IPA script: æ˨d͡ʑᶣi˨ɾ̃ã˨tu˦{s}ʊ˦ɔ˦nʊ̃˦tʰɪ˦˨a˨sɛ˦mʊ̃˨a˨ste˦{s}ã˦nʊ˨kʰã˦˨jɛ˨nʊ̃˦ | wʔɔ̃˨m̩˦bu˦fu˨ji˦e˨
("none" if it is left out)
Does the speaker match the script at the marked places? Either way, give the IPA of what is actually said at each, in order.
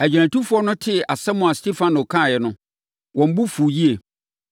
f, f

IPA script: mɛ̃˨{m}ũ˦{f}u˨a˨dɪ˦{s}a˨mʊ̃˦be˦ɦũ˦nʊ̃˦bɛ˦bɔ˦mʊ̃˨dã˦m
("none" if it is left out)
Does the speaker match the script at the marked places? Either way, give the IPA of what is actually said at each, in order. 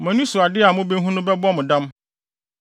n, s, none

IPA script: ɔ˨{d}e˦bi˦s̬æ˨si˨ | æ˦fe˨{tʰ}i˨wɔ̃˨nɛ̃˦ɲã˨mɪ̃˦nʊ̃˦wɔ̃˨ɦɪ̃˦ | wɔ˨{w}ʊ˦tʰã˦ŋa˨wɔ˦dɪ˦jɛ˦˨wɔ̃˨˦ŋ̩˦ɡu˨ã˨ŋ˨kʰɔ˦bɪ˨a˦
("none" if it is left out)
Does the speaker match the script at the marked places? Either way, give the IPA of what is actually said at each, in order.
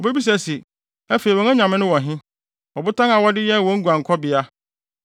b, none, b

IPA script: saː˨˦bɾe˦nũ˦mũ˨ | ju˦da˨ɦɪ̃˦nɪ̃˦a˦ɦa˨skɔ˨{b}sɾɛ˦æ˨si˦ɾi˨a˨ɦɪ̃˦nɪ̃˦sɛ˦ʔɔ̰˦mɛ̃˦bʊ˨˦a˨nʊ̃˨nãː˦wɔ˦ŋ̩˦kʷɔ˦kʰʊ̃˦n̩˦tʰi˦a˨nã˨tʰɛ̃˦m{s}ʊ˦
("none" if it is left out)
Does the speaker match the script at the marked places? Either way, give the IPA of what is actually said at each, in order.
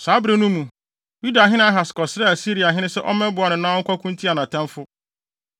none, f

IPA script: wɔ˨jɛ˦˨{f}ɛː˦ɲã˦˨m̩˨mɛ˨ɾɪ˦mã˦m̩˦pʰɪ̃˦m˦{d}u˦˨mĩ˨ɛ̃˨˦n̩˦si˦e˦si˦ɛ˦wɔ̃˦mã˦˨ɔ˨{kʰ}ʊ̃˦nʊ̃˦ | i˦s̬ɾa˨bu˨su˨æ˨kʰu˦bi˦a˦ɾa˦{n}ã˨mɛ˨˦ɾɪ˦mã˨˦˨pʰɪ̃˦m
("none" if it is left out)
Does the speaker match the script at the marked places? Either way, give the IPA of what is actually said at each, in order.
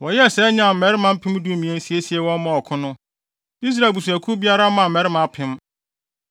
s, d, kʰ, m

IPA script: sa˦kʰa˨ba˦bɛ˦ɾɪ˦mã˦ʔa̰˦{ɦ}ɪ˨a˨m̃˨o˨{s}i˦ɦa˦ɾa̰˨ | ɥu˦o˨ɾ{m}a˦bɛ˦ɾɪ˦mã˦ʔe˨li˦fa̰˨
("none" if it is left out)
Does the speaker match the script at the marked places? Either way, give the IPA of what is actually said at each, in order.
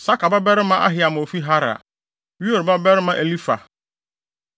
ɦ, f, b

